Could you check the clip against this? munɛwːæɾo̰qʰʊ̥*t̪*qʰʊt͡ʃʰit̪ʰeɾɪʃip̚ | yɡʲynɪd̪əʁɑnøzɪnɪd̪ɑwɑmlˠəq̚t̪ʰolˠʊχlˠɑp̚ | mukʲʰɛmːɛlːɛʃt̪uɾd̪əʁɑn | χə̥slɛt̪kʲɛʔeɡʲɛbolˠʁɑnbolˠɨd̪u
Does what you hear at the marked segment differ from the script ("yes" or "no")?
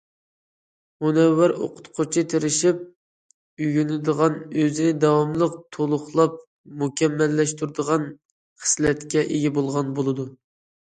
no